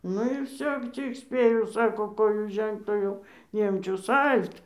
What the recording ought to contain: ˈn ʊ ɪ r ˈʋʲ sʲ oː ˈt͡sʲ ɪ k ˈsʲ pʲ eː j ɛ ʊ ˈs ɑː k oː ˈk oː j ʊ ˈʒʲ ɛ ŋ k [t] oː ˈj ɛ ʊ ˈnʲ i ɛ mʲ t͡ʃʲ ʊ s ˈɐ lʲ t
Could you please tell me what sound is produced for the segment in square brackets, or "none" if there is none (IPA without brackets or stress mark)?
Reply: t